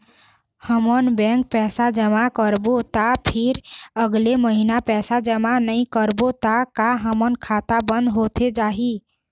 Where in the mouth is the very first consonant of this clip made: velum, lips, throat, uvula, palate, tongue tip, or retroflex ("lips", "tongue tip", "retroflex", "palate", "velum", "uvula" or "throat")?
throat